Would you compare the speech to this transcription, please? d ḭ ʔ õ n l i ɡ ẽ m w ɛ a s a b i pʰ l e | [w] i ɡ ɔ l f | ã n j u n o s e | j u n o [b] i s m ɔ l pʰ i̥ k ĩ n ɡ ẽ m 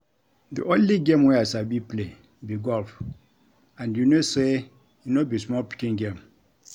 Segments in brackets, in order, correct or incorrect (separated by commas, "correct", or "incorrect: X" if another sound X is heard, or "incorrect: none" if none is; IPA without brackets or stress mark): incorrect: b, correct